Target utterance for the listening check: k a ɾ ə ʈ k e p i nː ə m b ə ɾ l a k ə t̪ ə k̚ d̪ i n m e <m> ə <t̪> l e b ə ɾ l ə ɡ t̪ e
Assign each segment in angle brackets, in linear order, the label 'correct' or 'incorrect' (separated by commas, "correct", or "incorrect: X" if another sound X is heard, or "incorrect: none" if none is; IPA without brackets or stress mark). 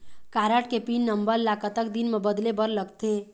incorrect: b, incorrect: d̪